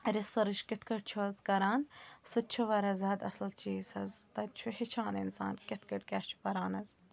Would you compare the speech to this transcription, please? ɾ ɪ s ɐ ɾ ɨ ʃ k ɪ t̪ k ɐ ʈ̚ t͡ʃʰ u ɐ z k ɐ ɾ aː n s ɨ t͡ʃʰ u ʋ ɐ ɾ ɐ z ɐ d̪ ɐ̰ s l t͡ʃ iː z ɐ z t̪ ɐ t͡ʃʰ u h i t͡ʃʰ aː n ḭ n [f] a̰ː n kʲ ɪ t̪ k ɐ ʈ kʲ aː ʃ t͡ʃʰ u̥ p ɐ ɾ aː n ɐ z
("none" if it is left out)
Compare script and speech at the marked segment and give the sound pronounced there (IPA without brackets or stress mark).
s